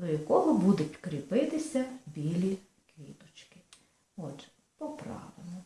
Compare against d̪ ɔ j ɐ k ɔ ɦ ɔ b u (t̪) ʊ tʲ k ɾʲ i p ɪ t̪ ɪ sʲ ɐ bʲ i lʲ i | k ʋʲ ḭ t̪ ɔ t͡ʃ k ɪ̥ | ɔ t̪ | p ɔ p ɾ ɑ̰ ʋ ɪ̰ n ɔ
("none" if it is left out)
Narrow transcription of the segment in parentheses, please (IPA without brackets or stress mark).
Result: d̪